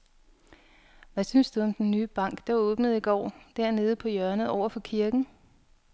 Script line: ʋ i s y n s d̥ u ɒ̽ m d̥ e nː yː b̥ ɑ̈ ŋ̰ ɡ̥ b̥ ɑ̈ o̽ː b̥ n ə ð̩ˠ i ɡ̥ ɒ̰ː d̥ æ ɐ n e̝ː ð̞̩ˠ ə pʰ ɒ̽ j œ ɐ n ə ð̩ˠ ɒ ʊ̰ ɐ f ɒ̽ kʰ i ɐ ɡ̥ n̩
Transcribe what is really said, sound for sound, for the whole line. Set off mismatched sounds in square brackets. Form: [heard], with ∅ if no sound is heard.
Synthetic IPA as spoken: ʋ [æ] s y n s d̥ u ɒ̽ m d̥ e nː yː b̥ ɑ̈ ŋ̰ ɡ̥ [d̥] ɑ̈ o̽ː b̥ n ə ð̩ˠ i ɡ̥ ɒ̰ː d̥ æ ɐ n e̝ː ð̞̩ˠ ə pʰ ɒ̽ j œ ɐ n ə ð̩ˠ ɒ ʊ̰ ɐ f ɒ̽ kʰ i ɐ ɡ̥ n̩